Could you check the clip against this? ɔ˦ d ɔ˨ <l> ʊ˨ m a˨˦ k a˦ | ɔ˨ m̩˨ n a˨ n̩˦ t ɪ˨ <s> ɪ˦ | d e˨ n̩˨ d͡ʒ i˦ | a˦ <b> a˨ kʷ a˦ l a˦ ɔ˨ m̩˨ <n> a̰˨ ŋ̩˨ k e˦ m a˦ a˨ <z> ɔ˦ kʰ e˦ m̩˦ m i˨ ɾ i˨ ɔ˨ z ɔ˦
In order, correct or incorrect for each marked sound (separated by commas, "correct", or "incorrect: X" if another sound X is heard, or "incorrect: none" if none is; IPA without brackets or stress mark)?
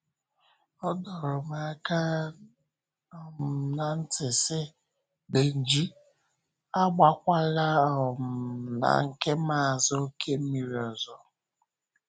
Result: incorrect: ɾ, correct, incorrect: ɡ͡b, correct, correct